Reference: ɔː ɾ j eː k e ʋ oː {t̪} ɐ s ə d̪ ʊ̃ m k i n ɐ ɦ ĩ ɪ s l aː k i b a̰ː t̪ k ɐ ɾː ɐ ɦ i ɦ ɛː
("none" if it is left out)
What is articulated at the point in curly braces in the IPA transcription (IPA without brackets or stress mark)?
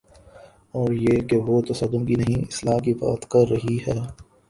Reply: t̪